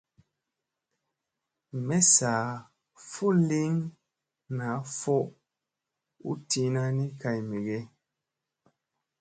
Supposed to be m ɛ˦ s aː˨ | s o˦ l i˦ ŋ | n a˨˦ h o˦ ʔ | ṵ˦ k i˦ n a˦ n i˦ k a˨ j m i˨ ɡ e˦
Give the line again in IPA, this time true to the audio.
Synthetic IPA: m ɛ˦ s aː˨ | f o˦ l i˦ ŋ | n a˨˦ f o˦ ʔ | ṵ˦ t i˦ n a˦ n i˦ k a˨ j m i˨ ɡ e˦